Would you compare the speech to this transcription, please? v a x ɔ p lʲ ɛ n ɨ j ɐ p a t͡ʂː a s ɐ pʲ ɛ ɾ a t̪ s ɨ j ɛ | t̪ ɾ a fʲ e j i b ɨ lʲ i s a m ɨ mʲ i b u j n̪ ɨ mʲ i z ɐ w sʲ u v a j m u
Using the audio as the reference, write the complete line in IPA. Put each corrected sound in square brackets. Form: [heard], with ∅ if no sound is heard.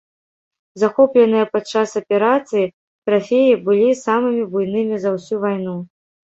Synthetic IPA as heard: [z] a x ɔ p lʲ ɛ n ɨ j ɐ p a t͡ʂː a s ɐ pʲ ɛ ɾ a t̪ s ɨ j [i] | t̪ ɾ a fʲ e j i b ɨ lʲ i s a m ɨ mʲ i b u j n̪ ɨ mʲ i z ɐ w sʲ u v a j [n] u